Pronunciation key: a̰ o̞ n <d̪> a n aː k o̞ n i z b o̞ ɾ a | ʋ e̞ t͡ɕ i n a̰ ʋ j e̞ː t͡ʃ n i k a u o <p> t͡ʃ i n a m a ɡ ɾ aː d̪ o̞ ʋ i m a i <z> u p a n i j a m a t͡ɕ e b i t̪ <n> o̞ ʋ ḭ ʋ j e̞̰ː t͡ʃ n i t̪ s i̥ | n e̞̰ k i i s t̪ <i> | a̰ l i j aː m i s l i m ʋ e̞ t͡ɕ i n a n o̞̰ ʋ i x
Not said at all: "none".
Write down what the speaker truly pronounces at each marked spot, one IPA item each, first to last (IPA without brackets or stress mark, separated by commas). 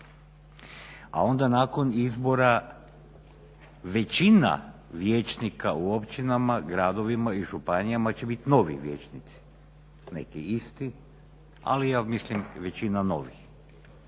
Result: d̪, p, ʒ, n, i